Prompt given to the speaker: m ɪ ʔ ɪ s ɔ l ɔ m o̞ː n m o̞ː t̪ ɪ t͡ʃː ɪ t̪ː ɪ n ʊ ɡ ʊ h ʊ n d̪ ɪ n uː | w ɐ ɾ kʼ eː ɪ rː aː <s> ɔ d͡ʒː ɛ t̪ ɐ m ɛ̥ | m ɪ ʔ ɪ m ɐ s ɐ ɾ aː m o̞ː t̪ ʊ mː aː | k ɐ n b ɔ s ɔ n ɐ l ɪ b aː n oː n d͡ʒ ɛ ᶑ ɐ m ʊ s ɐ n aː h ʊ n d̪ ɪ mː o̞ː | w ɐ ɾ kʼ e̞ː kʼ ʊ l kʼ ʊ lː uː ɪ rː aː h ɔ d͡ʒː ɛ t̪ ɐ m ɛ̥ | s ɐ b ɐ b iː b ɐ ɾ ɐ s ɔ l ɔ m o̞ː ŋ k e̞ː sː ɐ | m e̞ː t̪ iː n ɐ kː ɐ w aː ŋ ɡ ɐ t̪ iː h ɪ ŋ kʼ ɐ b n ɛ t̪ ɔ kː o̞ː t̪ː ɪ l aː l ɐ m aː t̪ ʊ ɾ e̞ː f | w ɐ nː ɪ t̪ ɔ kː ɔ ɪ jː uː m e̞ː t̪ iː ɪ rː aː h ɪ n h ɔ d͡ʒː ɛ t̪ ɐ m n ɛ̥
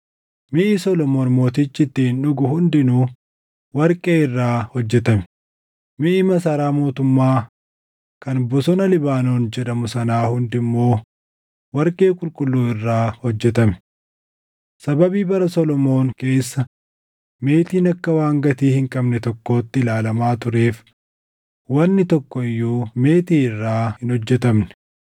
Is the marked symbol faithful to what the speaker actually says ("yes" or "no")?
no